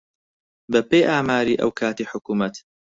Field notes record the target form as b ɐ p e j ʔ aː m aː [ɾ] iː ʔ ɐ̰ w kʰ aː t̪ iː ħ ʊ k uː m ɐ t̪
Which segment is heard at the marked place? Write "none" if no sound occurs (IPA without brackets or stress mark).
ɾ